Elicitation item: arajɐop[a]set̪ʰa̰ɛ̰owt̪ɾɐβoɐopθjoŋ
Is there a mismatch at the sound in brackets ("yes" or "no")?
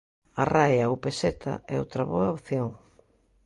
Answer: yes